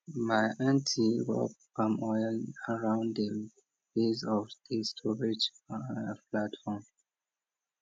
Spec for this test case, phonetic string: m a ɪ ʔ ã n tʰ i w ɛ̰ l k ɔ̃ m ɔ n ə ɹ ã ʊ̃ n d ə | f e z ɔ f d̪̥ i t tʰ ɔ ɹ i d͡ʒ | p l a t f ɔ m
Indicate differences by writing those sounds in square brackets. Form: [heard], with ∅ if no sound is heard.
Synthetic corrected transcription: m a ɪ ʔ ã n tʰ i w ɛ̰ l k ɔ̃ m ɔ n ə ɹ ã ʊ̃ n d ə | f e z ɔ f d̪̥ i [s] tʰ ɔ ɹ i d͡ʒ | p l a t f ɔ m